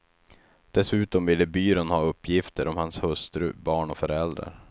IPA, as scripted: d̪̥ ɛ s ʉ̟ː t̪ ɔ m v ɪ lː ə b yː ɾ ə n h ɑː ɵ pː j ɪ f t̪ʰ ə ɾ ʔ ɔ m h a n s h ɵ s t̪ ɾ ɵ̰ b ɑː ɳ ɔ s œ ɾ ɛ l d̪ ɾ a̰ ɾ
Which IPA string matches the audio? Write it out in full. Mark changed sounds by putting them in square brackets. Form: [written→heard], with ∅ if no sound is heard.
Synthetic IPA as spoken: d̪̥ ɛ s ʉ̟ː t̪ ɔ m v ɪ lː ə b yː ɾ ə n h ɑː ɵ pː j ɪ f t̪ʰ ə ɾ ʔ ɔ m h a n s h ɵ s t̪ ɾ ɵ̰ b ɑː ɳ ɔ [s→f] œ ɾ ɛ l d̪ ɾ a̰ ɾ